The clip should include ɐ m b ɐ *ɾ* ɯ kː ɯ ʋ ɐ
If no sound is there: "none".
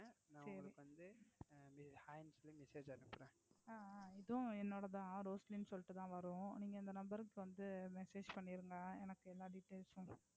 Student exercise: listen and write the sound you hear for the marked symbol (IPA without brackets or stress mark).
ɾ